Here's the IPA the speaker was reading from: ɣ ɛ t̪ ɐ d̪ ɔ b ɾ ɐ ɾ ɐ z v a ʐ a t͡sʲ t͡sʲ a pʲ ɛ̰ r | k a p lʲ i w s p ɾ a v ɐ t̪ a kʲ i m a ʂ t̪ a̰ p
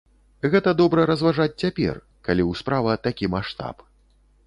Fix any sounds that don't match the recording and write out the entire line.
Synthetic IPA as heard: ɣ ɛ t̪ ɐ d̪ ɔ b ɾ ɐ ɾ ɐ z v a ʐ a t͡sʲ t͡sʲ a pʲ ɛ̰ r | k a lʲ i w s p ɾ a v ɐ t̪ a kʲ i m a ʂ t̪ a̰ p